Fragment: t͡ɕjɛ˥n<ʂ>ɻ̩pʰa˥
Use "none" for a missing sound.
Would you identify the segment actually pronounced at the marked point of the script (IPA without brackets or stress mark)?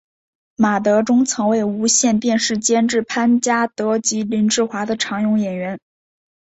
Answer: ʈ͡ʂ